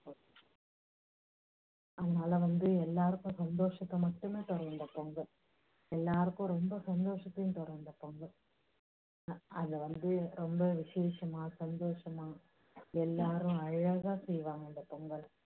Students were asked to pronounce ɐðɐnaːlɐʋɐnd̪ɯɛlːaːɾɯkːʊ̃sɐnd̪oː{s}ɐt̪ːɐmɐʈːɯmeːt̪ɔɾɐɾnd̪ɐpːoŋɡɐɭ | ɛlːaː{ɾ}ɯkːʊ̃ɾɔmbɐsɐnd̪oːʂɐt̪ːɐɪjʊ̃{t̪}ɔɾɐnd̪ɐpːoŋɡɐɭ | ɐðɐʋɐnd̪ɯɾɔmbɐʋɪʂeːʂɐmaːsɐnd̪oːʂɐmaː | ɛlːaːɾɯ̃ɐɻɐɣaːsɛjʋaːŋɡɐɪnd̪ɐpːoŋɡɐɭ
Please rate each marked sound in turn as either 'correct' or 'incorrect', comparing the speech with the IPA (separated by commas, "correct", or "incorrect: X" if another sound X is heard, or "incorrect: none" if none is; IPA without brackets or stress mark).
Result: incorrect: ʂ, correct, correct